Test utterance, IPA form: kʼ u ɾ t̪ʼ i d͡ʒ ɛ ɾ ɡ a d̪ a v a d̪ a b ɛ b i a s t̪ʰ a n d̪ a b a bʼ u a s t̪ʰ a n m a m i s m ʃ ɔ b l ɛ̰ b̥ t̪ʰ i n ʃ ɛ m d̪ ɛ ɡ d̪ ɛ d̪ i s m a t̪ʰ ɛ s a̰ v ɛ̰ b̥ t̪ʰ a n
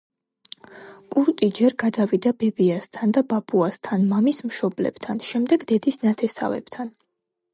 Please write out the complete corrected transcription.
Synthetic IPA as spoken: kʼ u ɾ t̪ʼ i d͡ʒ ɛ ɾ ɡ a d̪ a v i d̪ a b ɛ b i a s t̪ʰ a n d̪ a b a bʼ u a s t̪ʰ a n m a m i s m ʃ ɔ b l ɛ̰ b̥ t̪ʰ a n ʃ ɛ m d̪ ɛ ɡ d̪ ɛ d̪ i s n a t̪ʰ ɛ s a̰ v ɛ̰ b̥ t̪ʰ a n